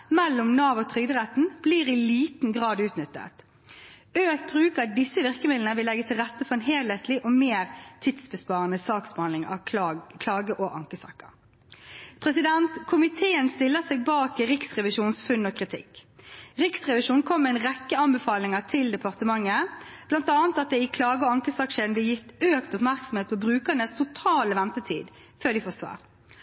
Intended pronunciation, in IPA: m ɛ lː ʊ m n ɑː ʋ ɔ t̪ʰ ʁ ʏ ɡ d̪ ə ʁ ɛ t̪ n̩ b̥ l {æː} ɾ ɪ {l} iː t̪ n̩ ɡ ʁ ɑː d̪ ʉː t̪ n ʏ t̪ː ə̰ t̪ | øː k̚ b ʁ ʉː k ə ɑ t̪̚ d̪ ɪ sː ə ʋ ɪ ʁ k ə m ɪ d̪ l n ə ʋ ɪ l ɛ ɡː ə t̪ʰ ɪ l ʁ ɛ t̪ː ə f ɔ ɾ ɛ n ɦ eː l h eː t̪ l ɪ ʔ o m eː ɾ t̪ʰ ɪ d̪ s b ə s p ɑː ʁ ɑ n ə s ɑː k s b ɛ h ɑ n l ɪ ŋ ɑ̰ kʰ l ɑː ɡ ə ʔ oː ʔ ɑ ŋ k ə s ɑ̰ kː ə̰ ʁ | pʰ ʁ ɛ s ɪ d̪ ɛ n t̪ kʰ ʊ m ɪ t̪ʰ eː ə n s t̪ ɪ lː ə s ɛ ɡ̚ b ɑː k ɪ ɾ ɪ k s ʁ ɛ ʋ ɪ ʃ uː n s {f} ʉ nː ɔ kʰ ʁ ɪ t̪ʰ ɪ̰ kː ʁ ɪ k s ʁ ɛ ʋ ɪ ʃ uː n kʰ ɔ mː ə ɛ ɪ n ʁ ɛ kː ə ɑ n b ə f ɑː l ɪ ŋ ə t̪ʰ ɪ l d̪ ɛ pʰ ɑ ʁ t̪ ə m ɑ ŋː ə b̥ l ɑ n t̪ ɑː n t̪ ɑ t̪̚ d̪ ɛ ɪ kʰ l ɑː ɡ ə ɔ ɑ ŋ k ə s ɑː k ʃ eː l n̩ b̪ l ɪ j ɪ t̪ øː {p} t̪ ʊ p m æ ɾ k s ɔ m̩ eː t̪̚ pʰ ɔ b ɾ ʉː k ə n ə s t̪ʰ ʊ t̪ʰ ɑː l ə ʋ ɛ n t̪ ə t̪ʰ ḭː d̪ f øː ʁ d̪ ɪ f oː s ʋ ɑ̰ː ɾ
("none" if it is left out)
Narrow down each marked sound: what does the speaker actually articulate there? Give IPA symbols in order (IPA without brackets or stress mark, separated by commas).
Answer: iː, l, f, k